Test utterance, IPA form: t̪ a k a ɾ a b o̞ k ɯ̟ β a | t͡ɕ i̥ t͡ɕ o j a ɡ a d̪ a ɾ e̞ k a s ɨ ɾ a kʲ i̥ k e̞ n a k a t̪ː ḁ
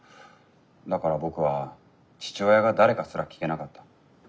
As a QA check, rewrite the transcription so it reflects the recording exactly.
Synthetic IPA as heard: d̪ a k a ɾ a b o̞ k ɯ̟ β a | t͡ɕ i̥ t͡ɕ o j a ɡ a d̪ a ɾ e̞ k a s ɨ ɾ a kʲ i̥ k e̞ n a k a t̪ː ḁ

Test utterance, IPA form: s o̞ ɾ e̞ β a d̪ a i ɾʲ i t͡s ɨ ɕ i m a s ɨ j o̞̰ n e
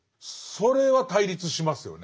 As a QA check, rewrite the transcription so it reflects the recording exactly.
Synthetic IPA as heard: s o̞ ɾ e̞ β a t̪ a i ɾʲ i t͡s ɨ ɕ i m a s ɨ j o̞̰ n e

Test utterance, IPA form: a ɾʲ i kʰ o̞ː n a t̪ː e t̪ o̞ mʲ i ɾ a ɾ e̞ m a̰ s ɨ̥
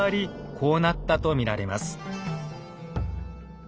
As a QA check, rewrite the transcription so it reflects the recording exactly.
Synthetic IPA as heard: a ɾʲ i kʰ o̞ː n a t̪ː a t̪ o̞ mʲ i ɾ a ɾ e̞ m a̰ s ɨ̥

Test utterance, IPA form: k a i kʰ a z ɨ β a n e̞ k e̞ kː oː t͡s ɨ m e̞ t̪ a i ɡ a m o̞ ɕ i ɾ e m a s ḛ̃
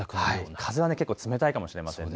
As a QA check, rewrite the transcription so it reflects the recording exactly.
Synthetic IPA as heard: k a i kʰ a z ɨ β a n e̞ k e̞ kː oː t͡s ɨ m e̞ t̪ a i k a m o̞ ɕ i ɾ e m a s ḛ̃

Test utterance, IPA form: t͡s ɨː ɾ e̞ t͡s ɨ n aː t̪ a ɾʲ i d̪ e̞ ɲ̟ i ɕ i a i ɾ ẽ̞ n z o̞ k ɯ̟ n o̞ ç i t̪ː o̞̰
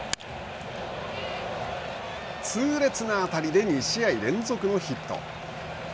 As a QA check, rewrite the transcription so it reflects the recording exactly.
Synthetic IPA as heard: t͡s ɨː ɾ e̞ t͡s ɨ n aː t̪ a ɾʲ i d̪ e̞ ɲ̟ i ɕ i a i ɾ ẽ̞ n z o̞ k ɯ̟ n o̞ ç i t̪ː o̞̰

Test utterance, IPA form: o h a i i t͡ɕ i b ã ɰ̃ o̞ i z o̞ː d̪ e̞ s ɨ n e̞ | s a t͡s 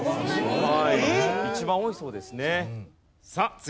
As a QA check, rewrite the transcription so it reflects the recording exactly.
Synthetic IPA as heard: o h a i i t͡ɕ i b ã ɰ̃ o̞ i s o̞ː d̪ e̞ s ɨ n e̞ | s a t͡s

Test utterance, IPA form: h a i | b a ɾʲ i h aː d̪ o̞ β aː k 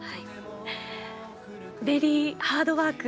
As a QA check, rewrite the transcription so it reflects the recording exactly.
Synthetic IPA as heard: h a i | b e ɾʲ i h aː d̪ o̞ β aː k

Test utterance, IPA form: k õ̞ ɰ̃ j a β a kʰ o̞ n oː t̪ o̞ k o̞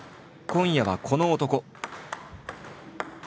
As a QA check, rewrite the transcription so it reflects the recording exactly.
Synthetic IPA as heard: k õ̞ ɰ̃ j a β a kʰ o̞ n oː t̪ o̞ k o̞

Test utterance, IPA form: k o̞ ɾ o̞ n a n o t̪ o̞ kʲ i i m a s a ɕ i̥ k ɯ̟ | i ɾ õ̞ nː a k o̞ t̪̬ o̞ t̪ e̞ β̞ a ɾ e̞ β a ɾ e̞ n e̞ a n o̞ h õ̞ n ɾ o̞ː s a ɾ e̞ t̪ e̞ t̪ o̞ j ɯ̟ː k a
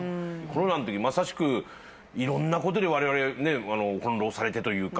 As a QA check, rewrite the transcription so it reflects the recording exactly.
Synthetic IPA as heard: k o̞ ɾ o̞ n a n o t̪ o̞ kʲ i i m a s a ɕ i̥ k ɯ̟ | i ɾ õ̞ nː a k o̞ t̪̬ o̞ d̪ e̞ β̞ a ɾ e̞ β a ɾ e̞ n e̞ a n o̞ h õ̞ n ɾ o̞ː s a ɾ e̞ t̪ e̞ t̪ o̞ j ɯ̟ː k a

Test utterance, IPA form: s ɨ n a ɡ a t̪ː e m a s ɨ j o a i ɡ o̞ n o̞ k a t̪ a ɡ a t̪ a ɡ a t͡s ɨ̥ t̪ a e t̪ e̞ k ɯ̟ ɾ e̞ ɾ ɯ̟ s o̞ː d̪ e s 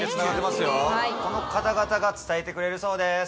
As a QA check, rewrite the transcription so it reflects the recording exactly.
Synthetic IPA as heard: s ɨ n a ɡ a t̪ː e m a s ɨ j o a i k o̞ n o̞ k a t̪ a ɡ a t̪ a ɡ a t͡s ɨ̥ t̪ a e t̪ e̞ k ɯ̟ ɾ e̞ ɾ ɯ̟ s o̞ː d̪ e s

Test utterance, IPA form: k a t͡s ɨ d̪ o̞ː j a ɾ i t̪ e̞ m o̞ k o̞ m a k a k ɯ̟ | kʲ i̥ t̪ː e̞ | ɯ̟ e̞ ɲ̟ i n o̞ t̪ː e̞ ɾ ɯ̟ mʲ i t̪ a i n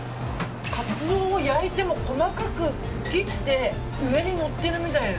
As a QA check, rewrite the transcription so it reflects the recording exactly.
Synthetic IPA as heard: k a t͡s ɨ d̪ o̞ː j a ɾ i t̪ e̞ m o̞ k o̞ m a k a k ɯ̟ | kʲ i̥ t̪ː e̞ | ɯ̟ e̞ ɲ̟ i n o̞ t̪ː e̞ ɾ ɯ̟ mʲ i t̪ a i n

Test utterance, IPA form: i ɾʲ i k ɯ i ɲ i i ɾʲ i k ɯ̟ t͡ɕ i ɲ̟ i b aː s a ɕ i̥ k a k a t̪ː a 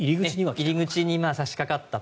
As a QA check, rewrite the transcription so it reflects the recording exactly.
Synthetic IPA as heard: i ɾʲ i ɡ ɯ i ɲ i i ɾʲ i ɡ ɯ̟ t͡ɕ i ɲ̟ i m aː s a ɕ i̥ k a k a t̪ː a

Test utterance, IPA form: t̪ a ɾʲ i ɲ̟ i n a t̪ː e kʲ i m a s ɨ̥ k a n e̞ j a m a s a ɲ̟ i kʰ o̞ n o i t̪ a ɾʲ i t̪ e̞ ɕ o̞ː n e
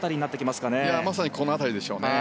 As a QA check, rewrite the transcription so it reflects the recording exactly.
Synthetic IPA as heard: t̪ a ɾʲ i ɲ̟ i n a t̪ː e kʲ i m a s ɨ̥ k a n e̞ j a m a s a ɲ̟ i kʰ o̞ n o a t̪ a ɾʲ i d̪ e̞ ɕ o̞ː n e

